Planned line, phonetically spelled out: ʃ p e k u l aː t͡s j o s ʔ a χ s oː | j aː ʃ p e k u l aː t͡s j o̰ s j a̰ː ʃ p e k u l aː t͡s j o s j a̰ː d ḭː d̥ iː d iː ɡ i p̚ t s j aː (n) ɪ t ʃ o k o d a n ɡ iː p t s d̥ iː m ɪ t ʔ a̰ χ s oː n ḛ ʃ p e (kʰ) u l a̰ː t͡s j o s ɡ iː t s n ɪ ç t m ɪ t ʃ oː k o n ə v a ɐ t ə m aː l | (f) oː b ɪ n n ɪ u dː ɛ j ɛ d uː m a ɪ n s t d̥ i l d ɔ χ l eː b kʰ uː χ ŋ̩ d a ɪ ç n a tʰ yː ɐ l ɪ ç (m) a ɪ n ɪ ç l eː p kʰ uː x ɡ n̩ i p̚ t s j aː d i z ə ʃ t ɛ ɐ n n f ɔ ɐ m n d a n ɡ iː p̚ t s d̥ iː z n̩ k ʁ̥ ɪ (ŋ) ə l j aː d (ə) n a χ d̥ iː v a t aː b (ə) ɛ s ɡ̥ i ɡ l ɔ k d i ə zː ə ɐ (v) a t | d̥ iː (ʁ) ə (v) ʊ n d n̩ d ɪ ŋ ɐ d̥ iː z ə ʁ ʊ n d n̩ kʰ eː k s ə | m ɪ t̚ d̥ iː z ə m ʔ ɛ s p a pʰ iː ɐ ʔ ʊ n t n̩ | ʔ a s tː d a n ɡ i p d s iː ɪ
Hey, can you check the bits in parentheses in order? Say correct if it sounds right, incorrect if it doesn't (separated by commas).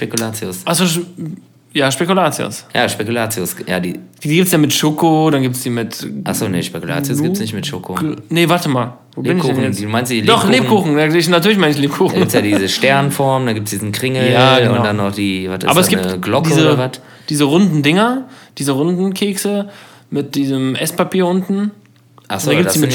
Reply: incorrect, incorrect, incorrect, correct, correct, incorrect, incorrect, correct, incorrect, incorrect